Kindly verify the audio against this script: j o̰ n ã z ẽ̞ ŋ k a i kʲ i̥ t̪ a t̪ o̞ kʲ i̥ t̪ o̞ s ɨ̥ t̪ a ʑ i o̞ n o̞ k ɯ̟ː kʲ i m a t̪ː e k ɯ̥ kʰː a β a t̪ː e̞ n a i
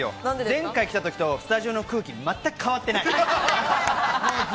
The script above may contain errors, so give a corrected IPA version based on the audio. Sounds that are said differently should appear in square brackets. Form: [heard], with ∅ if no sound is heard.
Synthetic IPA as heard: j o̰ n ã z ẽ̞ ŋ k a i kʲ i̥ t̪ a t̪ o̞ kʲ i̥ t̪ o̞ s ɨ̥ t̪ a ʑ i o̞ n o̞ k ɯ̟ː kʲ i m a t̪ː [a] k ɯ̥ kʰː a β a t̪ː e̞ n a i